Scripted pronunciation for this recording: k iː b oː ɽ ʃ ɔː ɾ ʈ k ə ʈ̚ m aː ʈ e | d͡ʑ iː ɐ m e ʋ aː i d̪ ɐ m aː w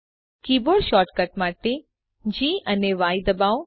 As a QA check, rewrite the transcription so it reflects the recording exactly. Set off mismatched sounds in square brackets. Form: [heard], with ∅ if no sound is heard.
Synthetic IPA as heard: k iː b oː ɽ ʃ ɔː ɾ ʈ k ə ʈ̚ m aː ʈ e | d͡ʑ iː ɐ [n] e ʋ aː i d̪ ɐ [b] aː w